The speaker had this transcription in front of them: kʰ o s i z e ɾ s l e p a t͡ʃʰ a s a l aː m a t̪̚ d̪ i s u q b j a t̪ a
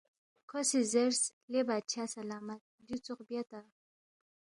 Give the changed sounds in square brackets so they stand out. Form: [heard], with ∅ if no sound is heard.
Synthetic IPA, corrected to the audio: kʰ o s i z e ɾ s l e [b] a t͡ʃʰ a s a l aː m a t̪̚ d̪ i [t͡s] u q b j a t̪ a

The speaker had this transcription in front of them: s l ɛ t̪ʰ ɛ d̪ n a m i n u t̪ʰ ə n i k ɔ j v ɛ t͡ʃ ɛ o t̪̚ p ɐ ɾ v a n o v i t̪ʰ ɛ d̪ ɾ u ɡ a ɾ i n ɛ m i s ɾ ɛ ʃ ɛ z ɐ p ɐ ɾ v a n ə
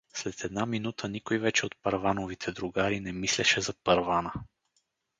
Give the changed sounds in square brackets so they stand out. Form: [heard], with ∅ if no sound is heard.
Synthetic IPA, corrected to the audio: s l ɛ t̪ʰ ɛ d̪ n a m i n u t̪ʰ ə n i k [o] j v ɛ t͡ʃ ɛ o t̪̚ p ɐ ɾ v a n o v i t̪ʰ ɛ d̪ ɾ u ɡ a ɾ i n ɛ m i s [l] ɛ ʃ ɛ z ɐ p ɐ ɾ v a n ə

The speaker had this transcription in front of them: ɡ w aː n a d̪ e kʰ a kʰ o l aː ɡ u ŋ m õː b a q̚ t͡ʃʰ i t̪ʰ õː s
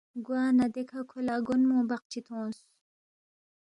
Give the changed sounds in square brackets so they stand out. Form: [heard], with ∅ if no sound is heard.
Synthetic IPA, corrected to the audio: ɡ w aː n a d̪ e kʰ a kʰ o l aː ɡ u [n] m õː b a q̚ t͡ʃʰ i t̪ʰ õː s

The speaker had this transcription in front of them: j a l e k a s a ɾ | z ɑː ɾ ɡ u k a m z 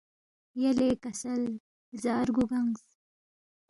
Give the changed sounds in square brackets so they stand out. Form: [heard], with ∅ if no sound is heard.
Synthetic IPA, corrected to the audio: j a l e k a s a [l] | z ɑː ɾ ɡ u [ɡ] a [ŋ] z

